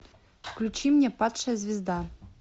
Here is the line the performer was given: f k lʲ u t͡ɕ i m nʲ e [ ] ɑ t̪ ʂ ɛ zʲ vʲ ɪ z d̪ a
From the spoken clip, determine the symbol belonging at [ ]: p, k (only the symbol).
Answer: p